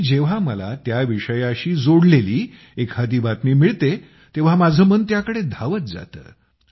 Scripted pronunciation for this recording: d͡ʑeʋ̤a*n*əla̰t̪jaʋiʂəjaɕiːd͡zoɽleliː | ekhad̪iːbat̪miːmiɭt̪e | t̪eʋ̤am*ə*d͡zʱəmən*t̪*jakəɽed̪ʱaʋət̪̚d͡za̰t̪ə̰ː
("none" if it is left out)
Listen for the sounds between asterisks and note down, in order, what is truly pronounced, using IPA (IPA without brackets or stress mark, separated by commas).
m, a, t̪